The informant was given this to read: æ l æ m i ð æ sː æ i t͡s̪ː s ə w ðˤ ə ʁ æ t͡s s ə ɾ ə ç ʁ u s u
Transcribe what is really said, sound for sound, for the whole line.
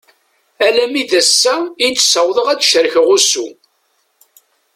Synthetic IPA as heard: æ l æ m i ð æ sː æ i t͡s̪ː s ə w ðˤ ə ʁ æ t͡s ʃ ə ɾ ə ç ʁ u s u